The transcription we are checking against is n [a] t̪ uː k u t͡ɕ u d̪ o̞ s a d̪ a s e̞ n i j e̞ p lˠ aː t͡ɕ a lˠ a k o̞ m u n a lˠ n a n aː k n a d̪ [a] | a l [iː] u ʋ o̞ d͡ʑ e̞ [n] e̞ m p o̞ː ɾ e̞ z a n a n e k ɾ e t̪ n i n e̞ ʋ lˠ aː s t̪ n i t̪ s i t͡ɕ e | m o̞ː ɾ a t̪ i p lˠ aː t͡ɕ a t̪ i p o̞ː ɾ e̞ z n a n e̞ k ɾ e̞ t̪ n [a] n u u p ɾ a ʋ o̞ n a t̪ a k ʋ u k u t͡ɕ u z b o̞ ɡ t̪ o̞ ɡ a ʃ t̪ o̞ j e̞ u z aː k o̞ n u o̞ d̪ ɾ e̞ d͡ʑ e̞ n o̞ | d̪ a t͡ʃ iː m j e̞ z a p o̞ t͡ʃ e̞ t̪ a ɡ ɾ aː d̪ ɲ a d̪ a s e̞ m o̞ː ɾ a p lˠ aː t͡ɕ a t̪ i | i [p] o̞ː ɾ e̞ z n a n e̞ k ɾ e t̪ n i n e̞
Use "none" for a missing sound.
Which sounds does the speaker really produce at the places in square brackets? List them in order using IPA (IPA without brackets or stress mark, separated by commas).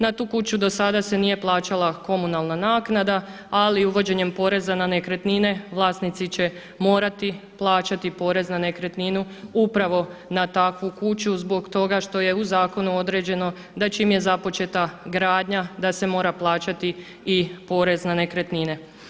a, a, i, ɲ, i, p